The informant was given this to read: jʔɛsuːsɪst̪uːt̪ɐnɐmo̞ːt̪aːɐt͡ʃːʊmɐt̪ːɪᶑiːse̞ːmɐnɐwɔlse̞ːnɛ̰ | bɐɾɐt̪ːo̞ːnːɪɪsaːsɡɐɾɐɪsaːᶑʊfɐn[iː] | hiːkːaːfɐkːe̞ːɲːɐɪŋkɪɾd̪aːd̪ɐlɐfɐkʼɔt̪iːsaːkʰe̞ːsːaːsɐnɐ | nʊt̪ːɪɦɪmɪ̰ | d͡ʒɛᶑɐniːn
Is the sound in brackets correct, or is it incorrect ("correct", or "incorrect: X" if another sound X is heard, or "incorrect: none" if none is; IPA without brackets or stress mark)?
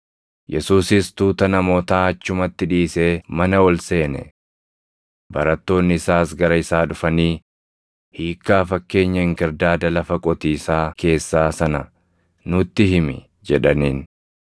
correct